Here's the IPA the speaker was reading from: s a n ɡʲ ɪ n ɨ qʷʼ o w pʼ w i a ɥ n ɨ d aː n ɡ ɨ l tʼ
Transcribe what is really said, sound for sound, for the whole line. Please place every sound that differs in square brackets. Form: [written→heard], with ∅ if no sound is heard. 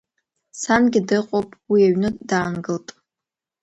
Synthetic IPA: s a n ɡʲ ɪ [n→d] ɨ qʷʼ o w pʼ w i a ɥ n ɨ d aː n ɡ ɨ l tʼ